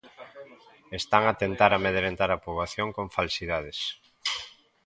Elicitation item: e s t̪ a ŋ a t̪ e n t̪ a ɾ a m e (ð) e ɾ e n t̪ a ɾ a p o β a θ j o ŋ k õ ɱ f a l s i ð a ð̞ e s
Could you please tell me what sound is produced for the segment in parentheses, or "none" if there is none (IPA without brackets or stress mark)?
ð